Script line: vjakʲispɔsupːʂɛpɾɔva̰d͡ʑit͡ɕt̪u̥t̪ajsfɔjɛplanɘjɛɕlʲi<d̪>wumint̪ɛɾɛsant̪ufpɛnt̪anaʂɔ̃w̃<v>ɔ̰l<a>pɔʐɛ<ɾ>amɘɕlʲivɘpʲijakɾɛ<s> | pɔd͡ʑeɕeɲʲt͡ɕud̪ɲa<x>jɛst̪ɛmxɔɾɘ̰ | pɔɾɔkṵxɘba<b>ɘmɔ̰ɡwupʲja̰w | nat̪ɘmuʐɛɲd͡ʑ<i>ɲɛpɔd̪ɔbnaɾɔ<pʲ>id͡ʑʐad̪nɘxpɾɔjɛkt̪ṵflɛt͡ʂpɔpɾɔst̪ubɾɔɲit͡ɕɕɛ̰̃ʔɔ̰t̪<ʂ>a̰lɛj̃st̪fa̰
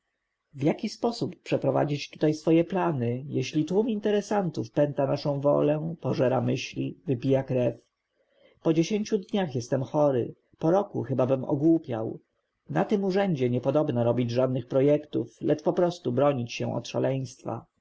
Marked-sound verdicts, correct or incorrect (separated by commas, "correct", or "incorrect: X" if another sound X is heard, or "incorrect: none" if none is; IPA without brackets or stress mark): incorrect: t̪, correct, incorrect: ɛ, correct, incorrect: f, correct, correct, incorrect: ɛ, incorrect: bʲ, correct